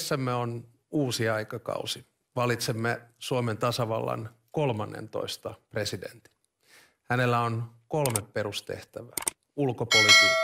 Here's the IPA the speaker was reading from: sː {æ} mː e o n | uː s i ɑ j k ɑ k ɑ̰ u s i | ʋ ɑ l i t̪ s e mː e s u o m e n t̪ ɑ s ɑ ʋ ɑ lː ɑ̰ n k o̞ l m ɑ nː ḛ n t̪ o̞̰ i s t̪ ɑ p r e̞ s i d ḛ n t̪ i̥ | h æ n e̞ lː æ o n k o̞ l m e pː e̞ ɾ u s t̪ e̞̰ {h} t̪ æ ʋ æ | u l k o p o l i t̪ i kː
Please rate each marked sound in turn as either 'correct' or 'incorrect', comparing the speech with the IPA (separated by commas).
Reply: correct, correct